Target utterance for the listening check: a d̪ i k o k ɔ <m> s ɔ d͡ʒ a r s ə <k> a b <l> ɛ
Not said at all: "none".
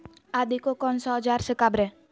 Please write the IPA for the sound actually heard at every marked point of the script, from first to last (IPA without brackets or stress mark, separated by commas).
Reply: n, k, ɾ